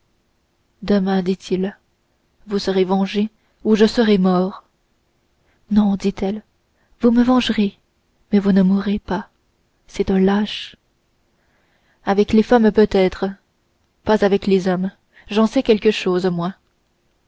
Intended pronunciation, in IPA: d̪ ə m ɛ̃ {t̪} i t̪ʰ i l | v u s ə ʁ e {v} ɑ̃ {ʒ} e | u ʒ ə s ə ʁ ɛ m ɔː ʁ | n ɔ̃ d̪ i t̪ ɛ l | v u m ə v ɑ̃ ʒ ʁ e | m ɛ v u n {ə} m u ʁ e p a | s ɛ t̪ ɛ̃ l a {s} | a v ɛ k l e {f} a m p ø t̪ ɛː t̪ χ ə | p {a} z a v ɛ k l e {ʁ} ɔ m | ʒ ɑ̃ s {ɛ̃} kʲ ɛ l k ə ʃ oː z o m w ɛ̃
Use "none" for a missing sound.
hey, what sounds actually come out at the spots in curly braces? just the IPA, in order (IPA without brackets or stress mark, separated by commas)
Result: d̪, v, ʒ, ə, ʃ, f, a, z, ɛ